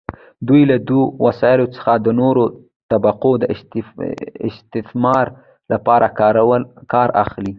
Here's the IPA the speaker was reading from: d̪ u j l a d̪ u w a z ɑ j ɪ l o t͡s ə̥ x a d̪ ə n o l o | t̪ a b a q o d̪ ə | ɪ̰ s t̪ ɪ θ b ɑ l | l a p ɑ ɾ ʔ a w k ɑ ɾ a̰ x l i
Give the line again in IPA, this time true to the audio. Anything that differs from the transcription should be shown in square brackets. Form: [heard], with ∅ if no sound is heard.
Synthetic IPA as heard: d̪ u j l a d̪ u w a [s] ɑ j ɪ l o t͡s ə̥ x a d̪ ə n o [ɾ] o | t̪ a b a q o d̪ ə | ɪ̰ s t̪ ɪ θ [m] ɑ [ɾ] | l a p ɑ ɾ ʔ a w k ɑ ɾ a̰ x l i

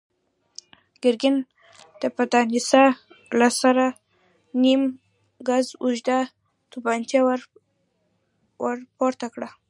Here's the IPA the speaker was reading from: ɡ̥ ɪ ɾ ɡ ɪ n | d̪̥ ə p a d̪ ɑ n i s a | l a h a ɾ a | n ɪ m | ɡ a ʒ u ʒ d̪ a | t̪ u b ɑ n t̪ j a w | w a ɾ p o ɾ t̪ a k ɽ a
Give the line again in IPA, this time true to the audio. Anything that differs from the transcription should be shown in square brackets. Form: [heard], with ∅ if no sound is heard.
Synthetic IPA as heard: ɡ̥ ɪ ɾ ɡ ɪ n | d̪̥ ə p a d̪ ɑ n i s a | l a [s] a ɾ a | n [i] m | ɡ a [z] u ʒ d̪ a | t̪ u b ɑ n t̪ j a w | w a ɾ p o ɾ t̪ a k ɽ a

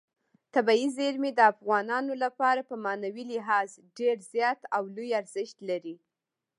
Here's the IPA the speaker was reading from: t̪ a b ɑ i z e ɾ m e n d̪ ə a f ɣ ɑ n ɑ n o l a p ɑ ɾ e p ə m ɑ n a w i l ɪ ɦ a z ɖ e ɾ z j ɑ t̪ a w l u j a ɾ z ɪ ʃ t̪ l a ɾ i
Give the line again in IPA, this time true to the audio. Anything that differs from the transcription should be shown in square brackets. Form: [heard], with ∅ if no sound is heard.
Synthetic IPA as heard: t̪ a b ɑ i z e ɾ m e [∅] d̪ ə a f ɣ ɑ n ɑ n o l a p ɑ ɾ [a] p ə m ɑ n a w i l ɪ ɦ [ɑ] z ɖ e ɾ z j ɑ t̪ a w l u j a ɾ z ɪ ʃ t̪ l a ɾ i

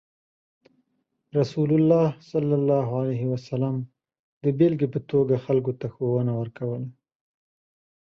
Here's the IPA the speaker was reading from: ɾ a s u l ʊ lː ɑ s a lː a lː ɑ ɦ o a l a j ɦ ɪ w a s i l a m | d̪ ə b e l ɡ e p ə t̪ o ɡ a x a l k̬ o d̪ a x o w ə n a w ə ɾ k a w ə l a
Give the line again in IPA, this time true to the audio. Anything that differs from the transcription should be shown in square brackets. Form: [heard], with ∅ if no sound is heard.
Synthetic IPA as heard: ɾ a s u l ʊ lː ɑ s a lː a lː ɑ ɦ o a l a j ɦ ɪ w a s [a] l a m | d̪ ə b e l ɡ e p ə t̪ o ɡ a x a l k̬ o [t̪] a x o w ə n a w ə ɾ k a w ə l a

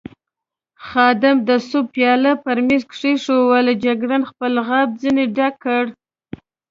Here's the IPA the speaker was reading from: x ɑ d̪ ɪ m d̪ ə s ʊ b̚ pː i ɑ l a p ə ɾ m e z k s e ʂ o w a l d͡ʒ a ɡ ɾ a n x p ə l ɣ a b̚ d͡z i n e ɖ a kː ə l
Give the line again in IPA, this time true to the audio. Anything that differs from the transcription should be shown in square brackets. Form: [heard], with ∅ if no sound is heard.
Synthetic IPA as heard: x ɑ d̪ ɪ m d̪ ə s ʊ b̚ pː [j] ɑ l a p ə ɾ m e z k [ʂ] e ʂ o w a l d͡ʒ a ɡ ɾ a n x p ə l ɣ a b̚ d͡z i n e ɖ a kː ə [ɽ]

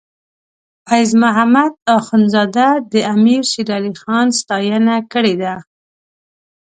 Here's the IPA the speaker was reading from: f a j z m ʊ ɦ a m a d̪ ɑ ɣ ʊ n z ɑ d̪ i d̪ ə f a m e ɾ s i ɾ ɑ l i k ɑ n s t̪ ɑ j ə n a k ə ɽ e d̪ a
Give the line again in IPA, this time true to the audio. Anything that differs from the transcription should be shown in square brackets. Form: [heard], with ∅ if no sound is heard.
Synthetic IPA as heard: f a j z m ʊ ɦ a m a d̪ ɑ [x] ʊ n z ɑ d̪ [a] d̪ ə [∅] a m [i] ɾ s i ɾ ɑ l i [x] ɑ n s t̪ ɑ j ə n a k ə ɽ e d̪ a

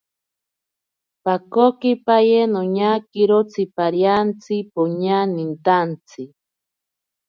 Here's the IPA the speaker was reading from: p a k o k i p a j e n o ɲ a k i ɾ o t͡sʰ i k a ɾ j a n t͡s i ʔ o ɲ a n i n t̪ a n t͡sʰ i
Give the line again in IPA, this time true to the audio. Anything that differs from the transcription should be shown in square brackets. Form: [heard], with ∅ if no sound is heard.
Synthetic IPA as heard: p a k o k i p a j e n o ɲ a k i ɾ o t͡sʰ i [p] a ɾ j a n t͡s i [p] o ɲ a n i n t̪ a n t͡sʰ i

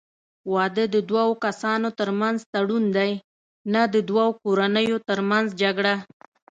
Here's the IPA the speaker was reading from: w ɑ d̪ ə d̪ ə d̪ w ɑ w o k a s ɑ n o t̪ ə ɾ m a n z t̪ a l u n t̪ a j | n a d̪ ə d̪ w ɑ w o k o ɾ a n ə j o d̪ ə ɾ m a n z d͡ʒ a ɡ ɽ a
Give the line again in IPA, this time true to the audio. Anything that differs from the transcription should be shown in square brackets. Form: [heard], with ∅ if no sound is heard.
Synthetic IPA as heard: w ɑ d̪ ə d̪ ə d̪ w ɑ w o k a s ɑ n o t̪ ə ɾ m a n z t̪ a [ɽ] u n [d̪] a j | n a d̪ ə d̪ w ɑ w o k o ɾ a n ə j o [t̪] ə ɾ m a n z d͡ʒ a ɡ ɽ a

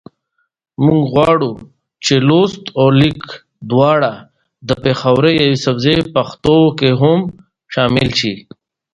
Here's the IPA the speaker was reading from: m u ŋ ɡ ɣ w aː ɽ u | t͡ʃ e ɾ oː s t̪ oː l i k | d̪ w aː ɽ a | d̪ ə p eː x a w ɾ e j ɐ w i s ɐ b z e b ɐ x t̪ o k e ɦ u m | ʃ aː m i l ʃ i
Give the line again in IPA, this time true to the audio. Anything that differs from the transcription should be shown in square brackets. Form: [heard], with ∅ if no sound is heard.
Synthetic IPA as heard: m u ŋ ɡ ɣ w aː ɽ u | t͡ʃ e [l] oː s t̪ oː l i k | d̪ w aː ɽ a | d̪ ə p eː x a w ɾ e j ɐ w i s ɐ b z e [p] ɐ x t̪ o k e ɦ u m | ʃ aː m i l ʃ i

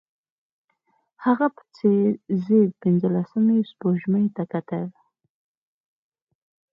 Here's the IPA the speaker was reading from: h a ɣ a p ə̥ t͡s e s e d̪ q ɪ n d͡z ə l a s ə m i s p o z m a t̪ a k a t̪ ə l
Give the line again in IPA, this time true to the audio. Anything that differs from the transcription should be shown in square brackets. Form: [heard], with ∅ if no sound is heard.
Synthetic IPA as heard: h a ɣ a p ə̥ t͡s e [z] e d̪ [p] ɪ n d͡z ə l a s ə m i s p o [ʒ] m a t̪ a k a t̪ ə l

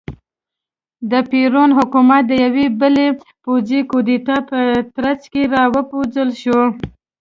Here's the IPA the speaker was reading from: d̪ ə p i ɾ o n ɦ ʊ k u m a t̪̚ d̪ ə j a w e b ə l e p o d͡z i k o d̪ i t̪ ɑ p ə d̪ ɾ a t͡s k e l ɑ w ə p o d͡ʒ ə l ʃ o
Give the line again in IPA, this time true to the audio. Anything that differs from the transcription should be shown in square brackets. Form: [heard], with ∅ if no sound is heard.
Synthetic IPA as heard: d̪ ə p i ɾ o n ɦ ʊ k u m a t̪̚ d̪ ə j a w e b ə l e p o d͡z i k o d̪ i t̪ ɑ p ə [t̪] ɾ a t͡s k e [ɾ] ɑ w ə p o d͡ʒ ə l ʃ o

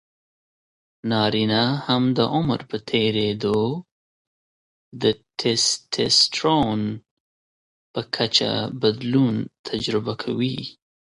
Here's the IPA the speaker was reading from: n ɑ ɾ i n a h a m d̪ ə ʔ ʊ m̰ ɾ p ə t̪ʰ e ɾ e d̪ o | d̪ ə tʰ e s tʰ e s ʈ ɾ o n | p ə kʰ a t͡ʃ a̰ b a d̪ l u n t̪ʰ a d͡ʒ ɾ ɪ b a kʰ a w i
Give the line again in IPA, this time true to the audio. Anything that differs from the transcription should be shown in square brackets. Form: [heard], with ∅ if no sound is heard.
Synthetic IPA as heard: n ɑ ɾ i n a h a m d̪ ə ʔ ʊ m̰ ɾ p ə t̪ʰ e ɾ e d̪ o | d̪ ə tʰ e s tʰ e s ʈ ɾ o n | p ə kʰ a t͡ʃ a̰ b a d̪ l u n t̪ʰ a d͡ʒ ɾ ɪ b a kʰ a w i

